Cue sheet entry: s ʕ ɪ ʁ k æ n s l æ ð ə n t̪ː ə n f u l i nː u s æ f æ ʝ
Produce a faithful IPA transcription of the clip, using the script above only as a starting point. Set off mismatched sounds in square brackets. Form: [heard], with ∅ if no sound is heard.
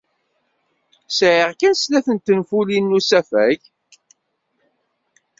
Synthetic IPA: s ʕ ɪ ʁ k æ n s l æ [θ] ə n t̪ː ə n f u l i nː u s æ f æ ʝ